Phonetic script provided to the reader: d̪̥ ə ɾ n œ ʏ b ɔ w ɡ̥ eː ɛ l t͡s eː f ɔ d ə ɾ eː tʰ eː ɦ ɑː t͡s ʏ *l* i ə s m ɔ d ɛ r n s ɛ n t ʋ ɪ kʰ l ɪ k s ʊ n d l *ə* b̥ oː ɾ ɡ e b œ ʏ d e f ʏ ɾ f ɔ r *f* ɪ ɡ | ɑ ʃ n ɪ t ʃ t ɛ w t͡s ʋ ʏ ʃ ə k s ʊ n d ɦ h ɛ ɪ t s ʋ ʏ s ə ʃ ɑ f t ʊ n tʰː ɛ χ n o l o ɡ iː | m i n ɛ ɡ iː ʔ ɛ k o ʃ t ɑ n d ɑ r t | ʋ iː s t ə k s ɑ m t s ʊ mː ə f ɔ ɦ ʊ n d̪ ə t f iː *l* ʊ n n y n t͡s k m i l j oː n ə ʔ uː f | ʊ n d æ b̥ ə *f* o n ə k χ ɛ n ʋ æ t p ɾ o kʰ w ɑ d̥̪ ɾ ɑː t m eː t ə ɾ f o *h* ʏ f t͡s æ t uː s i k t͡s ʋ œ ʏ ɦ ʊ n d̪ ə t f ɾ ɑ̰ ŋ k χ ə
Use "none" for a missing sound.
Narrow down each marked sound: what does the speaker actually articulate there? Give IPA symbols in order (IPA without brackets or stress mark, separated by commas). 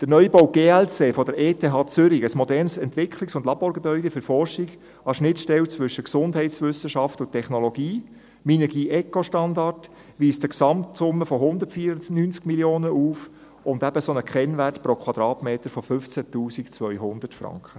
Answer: ɾ, ɑ, ʃ, ɾ, s, f